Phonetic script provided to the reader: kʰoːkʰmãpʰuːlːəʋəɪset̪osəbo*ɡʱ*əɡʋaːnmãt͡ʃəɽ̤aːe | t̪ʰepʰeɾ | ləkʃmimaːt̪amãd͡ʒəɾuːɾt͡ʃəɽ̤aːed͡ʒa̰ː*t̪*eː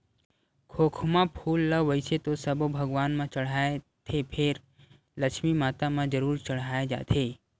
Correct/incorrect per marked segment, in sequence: incorrect, incorrect

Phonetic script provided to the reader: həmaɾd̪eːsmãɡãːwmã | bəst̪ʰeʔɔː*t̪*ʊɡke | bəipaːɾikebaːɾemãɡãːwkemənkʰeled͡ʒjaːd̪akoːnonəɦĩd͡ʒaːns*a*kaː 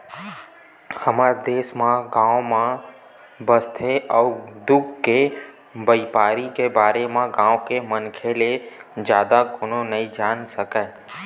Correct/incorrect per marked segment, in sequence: incorrect, incorrect

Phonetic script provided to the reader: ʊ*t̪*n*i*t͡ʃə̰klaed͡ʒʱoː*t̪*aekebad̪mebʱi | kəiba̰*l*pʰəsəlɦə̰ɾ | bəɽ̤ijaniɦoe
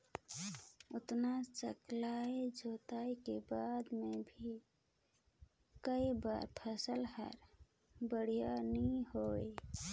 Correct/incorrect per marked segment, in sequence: correct, incorrect, correct, incorrect

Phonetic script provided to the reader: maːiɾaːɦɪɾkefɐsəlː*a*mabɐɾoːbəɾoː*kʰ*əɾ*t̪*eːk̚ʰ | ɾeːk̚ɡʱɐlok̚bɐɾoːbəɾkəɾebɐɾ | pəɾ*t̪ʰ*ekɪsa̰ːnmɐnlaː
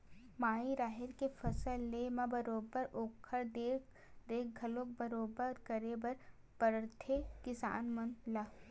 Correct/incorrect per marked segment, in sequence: incorrect, correct, incorrect, correct

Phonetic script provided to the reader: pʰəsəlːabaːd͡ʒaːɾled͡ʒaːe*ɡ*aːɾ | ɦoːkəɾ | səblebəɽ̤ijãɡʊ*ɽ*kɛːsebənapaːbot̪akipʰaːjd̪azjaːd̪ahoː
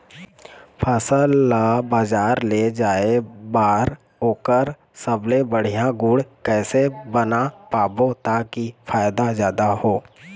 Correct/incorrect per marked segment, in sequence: incorrect, correct

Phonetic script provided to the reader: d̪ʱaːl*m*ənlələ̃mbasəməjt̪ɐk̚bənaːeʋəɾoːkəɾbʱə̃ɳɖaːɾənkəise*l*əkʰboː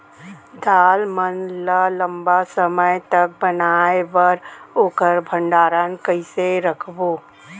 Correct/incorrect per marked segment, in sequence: correct, incorrect

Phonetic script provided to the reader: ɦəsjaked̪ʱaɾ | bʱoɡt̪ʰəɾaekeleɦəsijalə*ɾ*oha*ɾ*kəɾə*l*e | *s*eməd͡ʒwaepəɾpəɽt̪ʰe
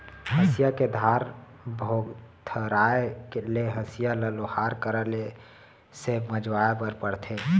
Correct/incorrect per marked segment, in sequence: incorrect, correct, correct, correct

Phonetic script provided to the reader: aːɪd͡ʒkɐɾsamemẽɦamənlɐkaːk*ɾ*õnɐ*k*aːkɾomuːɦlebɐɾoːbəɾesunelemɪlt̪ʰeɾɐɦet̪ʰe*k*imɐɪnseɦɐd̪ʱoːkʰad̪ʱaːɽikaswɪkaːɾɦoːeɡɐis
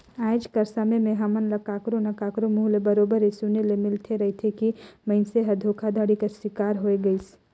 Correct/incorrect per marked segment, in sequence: correct, correct, correct

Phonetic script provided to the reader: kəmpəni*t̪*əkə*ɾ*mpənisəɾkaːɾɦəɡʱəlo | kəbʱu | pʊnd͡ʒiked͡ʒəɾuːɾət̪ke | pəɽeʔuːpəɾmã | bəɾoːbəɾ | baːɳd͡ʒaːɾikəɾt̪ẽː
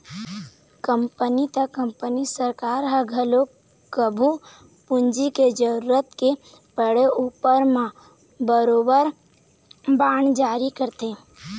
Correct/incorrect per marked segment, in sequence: correct, incorrect

